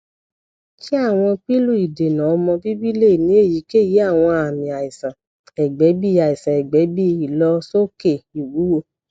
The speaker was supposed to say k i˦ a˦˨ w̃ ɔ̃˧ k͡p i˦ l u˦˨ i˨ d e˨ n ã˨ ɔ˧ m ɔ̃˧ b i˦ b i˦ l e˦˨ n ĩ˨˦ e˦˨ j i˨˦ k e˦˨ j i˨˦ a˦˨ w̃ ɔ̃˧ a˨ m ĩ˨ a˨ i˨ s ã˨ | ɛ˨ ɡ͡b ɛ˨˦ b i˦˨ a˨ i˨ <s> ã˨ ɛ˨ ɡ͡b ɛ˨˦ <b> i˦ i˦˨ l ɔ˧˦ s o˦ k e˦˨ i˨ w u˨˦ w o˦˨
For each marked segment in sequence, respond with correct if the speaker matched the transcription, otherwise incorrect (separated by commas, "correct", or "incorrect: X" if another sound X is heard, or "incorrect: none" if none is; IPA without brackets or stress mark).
correct, correct